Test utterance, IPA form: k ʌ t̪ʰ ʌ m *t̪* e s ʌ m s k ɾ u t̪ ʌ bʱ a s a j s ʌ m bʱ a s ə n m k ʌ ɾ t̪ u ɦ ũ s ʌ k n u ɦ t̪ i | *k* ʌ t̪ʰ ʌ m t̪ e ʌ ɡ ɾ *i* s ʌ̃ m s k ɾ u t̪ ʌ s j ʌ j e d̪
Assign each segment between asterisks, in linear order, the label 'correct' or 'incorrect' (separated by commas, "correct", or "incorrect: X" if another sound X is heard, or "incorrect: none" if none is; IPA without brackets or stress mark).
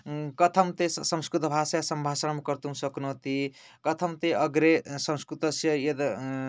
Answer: correct, correct, incorrect: e